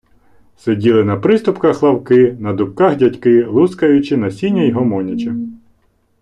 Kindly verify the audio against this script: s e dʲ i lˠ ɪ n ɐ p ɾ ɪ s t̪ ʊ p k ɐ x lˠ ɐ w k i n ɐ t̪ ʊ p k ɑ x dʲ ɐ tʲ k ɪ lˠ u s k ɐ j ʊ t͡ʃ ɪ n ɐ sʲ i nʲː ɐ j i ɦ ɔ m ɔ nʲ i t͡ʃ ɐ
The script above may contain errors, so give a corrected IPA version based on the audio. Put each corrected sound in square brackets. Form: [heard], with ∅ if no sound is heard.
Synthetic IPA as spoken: s e dʲ i lˠ ɪ n ɐ p ɾ ɪ s t̪ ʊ p k ɐ x lˠ ɐ w k [ɪ] n ɐ [d̪] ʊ p k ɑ x dʲ ɐ tʲ k ɪ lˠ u s k ɐ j ʊ t͡ʃ ɪ n ɐ sʲ i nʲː ɐ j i ɦ ɔ m ɔ nʲ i t͡ʃ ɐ